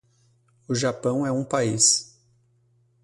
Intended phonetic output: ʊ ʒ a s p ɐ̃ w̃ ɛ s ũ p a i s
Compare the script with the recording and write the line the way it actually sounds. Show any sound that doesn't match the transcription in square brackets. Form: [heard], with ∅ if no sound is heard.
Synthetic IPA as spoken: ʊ ʒ a [∅] p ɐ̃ w̃ ɛ [∅] ũ p a i s

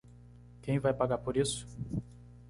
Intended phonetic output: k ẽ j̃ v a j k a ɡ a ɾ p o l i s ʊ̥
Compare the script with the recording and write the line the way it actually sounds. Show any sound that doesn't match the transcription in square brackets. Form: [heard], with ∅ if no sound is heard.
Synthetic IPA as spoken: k ẽ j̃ v a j [p] a ɡ a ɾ p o [ɾ] i s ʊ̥

